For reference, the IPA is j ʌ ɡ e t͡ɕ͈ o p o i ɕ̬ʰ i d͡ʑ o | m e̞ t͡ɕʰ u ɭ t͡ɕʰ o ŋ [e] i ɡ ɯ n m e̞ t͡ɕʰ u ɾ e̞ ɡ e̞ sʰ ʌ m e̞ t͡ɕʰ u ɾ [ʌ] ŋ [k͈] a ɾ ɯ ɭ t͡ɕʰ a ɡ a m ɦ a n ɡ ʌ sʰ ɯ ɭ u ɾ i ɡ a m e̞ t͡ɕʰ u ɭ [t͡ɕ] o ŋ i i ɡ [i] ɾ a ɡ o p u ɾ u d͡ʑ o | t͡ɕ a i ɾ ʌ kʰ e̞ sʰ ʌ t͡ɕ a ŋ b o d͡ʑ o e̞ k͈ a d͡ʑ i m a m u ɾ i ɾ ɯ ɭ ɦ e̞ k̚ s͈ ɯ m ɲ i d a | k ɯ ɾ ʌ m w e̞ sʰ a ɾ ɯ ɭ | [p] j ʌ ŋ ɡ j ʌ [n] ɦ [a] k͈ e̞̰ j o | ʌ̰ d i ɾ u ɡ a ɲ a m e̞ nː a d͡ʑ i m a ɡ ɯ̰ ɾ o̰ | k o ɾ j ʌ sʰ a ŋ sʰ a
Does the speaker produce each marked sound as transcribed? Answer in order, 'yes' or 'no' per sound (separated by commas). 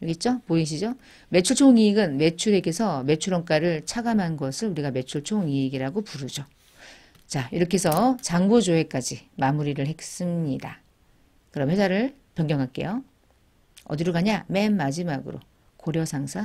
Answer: no, yes, yes, no, yes, yes, no, yes